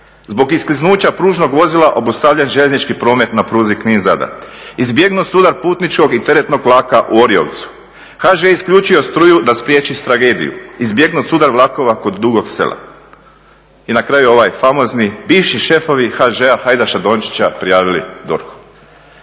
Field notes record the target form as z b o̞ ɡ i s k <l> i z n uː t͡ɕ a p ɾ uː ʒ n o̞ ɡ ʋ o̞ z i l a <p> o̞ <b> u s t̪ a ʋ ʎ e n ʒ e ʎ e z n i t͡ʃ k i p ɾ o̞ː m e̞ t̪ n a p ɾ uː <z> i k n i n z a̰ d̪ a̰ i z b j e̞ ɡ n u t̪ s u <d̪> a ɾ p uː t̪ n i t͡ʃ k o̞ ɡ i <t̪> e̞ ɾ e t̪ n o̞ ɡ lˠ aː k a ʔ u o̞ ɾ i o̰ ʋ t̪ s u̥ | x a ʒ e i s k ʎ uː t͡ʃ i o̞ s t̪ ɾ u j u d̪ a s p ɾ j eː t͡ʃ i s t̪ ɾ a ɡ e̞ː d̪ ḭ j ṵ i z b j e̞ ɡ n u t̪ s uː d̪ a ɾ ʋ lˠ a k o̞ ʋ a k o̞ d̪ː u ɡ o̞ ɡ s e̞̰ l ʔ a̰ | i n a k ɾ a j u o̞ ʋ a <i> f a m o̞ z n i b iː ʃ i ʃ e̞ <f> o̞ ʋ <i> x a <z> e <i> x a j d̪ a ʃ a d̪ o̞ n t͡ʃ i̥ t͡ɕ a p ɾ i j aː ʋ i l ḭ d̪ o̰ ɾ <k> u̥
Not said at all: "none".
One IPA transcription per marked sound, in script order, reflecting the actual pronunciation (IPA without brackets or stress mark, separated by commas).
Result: l, ʔ, b, z, d̪, t̪, j, f, i, ʒ, a, x